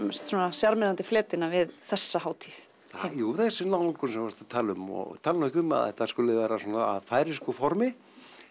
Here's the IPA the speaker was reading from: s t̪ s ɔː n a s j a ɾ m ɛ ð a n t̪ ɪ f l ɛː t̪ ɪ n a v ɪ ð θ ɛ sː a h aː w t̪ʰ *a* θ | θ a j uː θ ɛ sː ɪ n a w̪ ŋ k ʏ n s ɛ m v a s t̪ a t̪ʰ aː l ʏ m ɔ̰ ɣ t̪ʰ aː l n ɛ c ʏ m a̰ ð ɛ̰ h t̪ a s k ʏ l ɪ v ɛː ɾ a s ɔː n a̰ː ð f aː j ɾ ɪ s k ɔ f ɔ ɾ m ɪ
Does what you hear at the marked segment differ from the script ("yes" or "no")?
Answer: yes